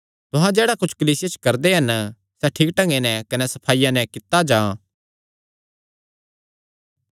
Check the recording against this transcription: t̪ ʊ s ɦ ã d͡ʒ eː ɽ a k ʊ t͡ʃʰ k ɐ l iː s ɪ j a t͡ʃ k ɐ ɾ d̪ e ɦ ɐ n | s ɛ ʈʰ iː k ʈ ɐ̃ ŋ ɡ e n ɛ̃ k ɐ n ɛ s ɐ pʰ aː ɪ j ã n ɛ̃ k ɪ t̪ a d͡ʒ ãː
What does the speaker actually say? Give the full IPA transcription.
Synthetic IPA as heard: t̪ ʊ ɦ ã d͡ʒ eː ɽ a k ʊ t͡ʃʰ k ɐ l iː s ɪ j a t͡ʃ k ɐ ɾ d̪ e ɦ ɐ n | s ɛ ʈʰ iː k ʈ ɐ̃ ŋ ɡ e n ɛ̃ k ɐ n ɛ s ɐ pʰ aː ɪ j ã n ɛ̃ k ɪ t̪ a d͡ʒ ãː